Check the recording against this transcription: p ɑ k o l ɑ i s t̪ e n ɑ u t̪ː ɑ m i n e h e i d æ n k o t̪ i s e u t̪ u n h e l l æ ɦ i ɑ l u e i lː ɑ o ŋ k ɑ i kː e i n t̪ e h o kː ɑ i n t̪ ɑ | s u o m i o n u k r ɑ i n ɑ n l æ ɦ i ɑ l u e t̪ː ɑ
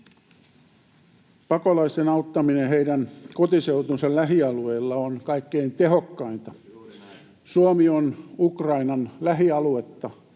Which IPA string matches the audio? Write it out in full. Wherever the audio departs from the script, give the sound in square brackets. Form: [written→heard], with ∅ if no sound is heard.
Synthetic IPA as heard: p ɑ k o l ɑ i s t̪ e n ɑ u t̪ː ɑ m i n e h e i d æ n k o t̪ i s e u t̪ u n [h→s] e l l æ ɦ i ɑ l u e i lː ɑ o [ŋ→n] k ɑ i kː e i n t̪ e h o kː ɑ i n t̪ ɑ | s u o m i o n u k r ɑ i n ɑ n l æ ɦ i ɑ l u e t̪ː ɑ

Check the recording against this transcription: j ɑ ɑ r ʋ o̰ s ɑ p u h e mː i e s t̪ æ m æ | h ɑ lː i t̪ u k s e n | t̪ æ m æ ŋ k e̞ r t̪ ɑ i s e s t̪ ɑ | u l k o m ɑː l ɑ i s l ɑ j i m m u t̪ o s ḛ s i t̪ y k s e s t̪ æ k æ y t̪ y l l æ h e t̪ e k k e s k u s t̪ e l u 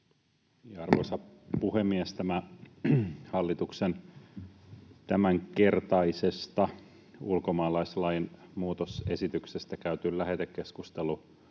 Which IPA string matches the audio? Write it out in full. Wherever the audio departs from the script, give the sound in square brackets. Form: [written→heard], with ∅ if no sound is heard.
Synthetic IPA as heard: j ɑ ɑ r ʋ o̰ s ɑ p u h e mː i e s t̪ æ m æ | h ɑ lː i t̪ u k s e n | t̪ æ m æ ŋ k e̞ r t̪ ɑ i s e s t̪ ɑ | u l k o m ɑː l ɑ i s l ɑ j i [m→n] m [u→uː] t̪ o s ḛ s i t̪ y k s e s t̪ æ k æ y t̪ y l l æ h e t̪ e k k e s k u s t̪ e l u

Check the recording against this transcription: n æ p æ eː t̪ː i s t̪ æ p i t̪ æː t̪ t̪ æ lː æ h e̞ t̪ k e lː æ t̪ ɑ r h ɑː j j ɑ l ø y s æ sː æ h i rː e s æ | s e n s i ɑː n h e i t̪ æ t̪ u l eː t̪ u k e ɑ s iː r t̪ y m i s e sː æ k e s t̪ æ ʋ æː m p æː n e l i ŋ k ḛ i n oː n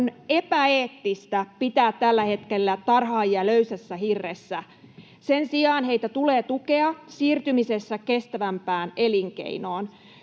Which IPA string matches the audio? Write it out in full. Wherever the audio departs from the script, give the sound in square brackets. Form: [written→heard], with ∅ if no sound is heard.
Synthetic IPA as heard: n [æ→e] p æ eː t̪ː i s t̪ æ p i t̪ æː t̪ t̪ æ lː æ h e̞ t̪ k e lː æ t̪ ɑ r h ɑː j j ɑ l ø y s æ sː æ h i rː e [s→sː] æ | s e n s i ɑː n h e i t̪ æ t̪ u l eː t̪ u k e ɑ s iː r t̪ y m i s e sː æ k e s t̪ æ ʋ [æː→æ] m p æː n e l i ŋ k ḛ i n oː n

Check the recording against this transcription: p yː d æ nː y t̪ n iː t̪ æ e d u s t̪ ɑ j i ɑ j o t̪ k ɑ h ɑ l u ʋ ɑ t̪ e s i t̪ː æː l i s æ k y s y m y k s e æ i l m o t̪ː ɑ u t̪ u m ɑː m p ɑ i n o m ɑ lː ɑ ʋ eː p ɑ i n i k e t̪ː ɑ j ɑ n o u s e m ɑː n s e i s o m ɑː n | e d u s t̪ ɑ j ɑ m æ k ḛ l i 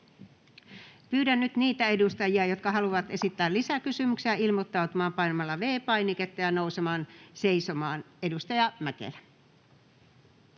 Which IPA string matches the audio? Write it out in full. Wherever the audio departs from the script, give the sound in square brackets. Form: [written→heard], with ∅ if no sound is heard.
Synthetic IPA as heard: p yː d æ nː y t̪ n iː t̪ æ e d u s t̪ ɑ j i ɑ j o t̪ k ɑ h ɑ l u ʋ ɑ t̪ e s i t̪ː æː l i s æ k y s y m y k s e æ i l m o t̪ː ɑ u t̪ u m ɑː m p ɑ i n o m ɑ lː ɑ ʋ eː p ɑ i n i k e t̪ː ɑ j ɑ n o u s e m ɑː n s e i s o m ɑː n | e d u s t̪ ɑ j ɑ m æ k ḛ l [i→æ]

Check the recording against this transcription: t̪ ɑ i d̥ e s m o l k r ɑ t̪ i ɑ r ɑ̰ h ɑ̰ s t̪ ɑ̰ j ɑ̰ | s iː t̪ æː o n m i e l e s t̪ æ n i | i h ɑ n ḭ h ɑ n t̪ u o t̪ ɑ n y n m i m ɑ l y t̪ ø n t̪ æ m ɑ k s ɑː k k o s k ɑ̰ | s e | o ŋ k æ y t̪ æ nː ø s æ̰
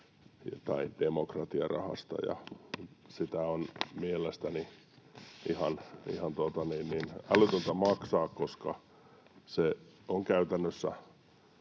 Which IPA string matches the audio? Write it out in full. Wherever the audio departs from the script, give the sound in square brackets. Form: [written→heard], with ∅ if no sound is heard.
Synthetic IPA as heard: t̪ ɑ i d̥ e [s→∅] m o [l→∅] k r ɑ t̪ i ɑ r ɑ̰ h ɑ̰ s t̪ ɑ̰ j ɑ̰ | s [iː→i] t̪ [æː→æ] o n m i e l e s t̪ æ n i | i h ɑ n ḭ h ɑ n t̪ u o t̪ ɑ n [y→i] n [m→n] i [m→n] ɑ l y t̪ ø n t̪ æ m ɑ k s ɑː k k o s k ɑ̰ | s e | o ŋ k æ y t̪ æ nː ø [s→sː] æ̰

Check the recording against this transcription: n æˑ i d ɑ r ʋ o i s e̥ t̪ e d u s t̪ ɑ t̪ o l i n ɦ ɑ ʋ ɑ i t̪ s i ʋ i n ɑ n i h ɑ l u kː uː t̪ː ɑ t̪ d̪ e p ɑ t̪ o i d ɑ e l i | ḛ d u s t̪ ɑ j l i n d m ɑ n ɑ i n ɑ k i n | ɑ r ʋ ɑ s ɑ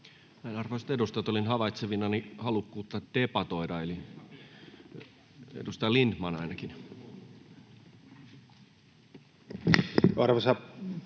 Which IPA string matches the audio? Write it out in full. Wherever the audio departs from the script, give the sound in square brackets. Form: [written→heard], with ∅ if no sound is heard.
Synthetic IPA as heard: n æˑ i [d→n] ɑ r ʋ o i s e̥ t̪ e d u s t̪ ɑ t̪ o l i n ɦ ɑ ʋ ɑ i t̪ s [i→e] ʋ i n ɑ n i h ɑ l u kː uː t̪ː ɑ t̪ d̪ e p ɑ t̪ o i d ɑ e l i | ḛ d u s t̪ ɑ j l i n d m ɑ n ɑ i n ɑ k i n | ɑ r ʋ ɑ s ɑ

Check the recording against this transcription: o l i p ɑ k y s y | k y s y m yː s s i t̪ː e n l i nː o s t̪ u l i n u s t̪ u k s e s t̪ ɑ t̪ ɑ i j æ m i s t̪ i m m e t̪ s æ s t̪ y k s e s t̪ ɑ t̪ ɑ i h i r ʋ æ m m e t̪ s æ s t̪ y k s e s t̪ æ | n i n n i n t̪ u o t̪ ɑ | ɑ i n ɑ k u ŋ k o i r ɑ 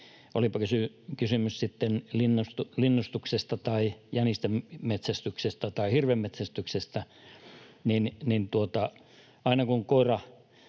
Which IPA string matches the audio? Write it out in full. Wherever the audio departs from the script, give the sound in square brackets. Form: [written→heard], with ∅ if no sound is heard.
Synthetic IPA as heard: o l i p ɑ k y s y | k y s y m [yː→y] s s i t̪ː e n l i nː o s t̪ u l i [n→nː] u s t̪ u k s e s t̪ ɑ t̪ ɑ i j æ [m→n] i s t̪ [i→e] m m e t̪ s æ s t̪ y k s e s t̪ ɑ t̪ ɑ i h i r ʋ [æ→e] m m e t̪ s æ s t̪ y k s e s t̪ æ | n i n n i n t̪ u o t̪ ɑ | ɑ i n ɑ k u ŋ k o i r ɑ

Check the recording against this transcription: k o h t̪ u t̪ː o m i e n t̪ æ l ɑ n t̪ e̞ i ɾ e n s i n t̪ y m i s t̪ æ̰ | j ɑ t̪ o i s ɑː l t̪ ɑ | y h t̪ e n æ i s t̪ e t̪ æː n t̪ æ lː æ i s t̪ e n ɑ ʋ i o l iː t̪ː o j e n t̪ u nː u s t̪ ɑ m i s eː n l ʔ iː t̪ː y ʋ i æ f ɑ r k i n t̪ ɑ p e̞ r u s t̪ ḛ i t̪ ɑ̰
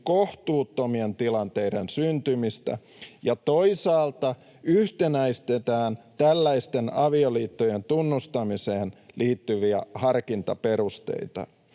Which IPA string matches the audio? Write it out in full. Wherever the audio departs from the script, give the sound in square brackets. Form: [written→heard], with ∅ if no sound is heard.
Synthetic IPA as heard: k o h t̪ [u→uː] t̪ː o m i e n t̪ [æ→i] l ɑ n t̪ e̞ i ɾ e n s [i→y] n t̪ y m i s t̪ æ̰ | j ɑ t̪ o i s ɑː l t̪ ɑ | y h t̪ e n æ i s t̪ e t̪ æː n t̪ æ lː æ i s t̪ e n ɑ ʋ i o l iː t̪ː o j e n t̪ u nː u s t̪ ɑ m i s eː n l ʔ iː t̪ː y ʋ i æ [f→h] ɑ r k i n t̪ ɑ p e̞ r u s t̪ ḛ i t̪ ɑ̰

